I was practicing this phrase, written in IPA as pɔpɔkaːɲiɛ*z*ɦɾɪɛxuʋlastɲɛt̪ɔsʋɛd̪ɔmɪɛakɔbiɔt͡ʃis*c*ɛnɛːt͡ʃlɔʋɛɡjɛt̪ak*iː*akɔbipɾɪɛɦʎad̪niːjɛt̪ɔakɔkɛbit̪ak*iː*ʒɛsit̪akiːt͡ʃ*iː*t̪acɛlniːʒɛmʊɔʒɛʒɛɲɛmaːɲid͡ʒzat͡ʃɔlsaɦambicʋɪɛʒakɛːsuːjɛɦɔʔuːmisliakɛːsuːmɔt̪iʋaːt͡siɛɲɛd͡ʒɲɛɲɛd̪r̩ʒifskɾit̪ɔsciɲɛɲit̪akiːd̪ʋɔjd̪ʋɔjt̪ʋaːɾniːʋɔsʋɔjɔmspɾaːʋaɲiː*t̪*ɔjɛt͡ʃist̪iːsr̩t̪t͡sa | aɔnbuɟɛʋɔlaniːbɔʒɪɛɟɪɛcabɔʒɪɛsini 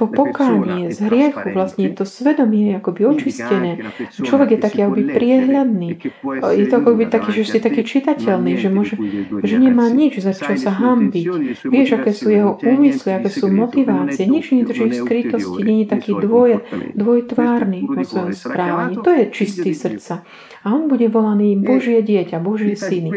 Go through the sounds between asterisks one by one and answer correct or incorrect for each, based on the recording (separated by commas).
correct, correct, correct, correct, incorrect, correct